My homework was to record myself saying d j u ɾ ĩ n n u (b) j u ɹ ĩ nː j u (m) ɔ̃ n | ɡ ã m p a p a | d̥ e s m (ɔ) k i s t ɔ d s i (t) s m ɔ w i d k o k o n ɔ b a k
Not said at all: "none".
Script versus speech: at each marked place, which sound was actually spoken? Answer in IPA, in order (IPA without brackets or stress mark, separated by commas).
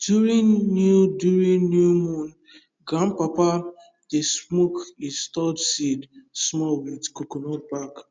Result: d, m, o, d